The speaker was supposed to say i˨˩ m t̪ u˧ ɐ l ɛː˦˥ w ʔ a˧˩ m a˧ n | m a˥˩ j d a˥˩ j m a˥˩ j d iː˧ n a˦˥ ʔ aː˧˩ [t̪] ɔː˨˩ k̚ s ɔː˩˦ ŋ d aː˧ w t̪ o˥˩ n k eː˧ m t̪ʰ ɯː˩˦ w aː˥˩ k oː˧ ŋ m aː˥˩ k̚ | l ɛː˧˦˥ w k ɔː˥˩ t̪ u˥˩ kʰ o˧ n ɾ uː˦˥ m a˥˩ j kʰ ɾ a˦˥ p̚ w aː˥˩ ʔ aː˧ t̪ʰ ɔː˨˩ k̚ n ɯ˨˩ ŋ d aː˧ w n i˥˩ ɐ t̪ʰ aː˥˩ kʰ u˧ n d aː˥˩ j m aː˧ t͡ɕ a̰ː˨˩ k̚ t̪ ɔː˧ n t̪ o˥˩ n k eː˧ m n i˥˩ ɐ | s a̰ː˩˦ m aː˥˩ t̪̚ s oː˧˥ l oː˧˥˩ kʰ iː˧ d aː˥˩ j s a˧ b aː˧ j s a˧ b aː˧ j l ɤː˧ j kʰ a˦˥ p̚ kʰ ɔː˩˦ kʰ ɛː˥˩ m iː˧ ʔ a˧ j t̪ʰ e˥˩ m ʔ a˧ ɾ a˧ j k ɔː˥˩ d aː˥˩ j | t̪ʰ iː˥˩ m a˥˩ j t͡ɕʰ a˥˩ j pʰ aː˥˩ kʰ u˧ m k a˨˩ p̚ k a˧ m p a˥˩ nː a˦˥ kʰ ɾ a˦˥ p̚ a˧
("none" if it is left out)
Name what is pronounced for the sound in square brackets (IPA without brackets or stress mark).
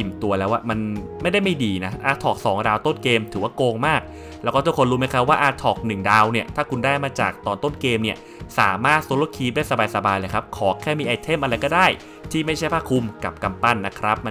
t̪ʰ